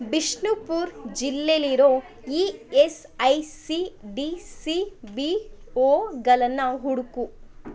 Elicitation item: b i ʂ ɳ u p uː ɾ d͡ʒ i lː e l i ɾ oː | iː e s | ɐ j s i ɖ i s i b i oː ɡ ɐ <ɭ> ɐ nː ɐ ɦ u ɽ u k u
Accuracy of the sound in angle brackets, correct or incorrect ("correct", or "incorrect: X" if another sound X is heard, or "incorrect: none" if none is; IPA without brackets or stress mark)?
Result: incorrect: l